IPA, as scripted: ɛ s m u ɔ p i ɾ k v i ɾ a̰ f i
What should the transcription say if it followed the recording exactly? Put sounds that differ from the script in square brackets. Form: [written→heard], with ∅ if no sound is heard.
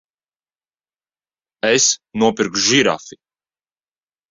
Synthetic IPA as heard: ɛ s [m→n] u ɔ p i ɾ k [v→ʒ] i ɾ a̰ f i